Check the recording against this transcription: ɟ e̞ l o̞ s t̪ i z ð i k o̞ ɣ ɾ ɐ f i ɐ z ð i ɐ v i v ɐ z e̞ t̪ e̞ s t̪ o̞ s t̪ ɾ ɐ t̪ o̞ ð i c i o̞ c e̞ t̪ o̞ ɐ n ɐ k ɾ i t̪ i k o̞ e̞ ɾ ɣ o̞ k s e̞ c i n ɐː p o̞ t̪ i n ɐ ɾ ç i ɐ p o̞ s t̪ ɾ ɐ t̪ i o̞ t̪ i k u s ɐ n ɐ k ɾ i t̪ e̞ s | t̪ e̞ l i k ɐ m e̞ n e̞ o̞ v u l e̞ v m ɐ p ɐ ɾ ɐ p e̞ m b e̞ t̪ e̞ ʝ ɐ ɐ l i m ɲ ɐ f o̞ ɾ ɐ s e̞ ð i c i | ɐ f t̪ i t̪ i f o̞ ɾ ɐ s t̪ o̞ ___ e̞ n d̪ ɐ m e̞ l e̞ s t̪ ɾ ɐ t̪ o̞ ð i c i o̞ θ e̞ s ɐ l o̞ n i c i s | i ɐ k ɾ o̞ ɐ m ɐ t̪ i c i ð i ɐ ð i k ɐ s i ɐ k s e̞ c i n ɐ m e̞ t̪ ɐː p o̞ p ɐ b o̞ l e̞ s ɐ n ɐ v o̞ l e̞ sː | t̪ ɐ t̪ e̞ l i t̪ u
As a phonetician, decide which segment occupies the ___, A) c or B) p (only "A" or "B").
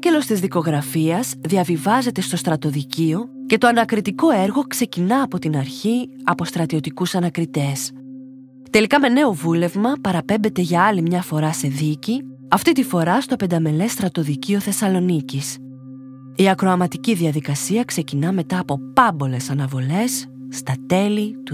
B